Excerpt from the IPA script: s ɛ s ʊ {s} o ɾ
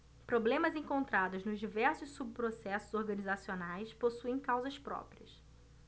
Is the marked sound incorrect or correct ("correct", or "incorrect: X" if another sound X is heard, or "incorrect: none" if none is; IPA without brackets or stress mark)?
incorrect: z